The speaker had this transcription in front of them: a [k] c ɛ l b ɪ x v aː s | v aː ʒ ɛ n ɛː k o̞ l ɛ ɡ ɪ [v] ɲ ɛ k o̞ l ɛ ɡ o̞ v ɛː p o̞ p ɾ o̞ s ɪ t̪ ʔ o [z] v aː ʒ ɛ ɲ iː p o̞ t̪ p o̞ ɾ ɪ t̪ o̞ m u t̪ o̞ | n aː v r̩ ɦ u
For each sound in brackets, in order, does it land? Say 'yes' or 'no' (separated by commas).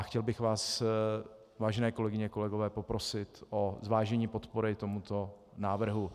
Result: no, no, yes